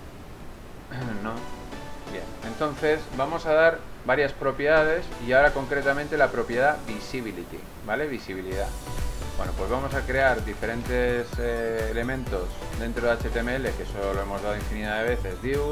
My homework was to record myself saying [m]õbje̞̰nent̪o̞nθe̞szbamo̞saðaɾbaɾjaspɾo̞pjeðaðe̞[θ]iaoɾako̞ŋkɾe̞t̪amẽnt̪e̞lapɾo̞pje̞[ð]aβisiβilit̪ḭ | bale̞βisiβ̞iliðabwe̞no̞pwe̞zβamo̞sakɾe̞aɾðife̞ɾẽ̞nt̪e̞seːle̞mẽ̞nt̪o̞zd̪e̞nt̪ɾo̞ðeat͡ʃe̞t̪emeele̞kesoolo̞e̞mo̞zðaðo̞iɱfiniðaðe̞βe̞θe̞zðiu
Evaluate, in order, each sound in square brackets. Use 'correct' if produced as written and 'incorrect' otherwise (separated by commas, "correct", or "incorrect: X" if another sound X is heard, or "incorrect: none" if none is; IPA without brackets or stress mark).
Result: incorrect: n, incorrect: s, correct